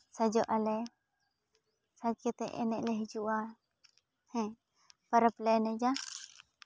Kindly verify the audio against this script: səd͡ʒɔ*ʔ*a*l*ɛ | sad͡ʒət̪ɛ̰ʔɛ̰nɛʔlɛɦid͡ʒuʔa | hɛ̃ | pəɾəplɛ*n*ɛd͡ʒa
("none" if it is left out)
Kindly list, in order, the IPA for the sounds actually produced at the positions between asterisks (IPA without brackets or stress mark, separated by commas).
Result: ʔ, l, n